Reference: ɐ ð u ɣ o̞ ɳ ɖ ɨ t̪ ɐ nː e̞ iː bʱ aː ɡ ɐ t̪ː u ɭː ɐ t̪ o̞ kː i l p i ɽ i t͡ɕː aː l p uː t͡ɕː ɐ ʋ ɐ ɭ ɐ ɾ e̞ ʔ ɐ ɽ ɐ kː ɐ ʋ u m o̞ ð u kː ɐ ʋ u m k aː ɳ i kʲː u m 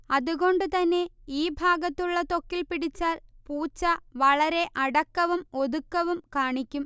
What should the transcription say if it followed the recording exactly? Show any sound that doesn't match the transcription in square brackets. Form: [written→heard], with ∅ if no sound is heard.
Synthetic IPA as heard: ɐ ð u ɣ o̞ ɳ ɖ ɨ t̪ ɐ nː e̞ iː bʱ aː ɡ ɐ t̪ː u ɭː ɐ t̪ o̞ kː i l p i ɽ i t͡ɕː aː l p uː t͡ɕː ɐ ʋ ɐ ɭ ɐ ɾ e̞ ʔ ɐ ɽ ɐ kː ɐ ʋ u m o̞ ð u kː ɐ ʋ u m k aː ɳ i kʲː u m